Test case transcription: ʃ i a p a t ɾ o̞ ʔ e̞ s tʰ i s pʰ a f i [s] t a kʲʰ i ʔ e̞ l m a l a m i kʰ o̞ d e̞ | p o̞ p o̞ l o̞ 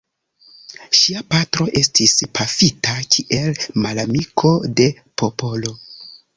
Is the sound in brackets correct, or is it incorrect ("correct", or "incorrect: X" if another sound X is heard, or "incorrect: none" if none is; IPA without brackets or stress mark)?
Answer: incorrect: none